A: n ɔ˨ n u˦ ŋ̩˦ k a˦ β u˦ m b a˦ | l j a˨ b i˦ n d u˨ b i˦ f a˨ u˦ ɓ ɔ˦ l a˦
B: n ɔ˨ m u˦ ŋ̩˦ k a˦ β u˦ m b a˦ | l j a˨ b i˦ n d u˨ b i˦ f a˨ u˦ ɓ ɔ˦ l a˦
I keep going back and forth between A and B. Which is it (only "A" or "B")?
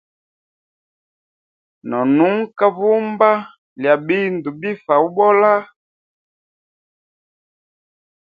A